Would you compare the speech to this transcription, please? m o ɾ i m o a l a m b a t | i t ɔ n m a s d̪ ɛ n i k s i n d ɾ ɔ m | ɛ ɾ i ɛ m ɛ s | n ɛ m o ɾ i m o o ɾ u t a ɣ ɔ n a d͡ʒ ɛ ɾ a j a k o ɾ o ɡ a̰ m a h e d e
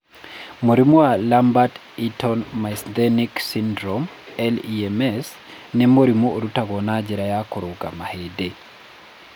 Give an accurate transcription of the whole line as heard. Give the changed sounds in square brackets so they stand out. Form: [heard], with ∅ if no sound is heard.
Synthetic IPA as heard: m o ɾ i m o a l a m b a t | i t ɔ n m a s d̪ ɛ n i k s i n d ɾ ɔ m | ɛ [l] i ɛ m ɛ s | n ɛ m o ɾ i m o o ɾ u t a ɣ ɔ n a d͡ʒ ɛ ɾ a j a k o ɾ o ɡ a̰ m a h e d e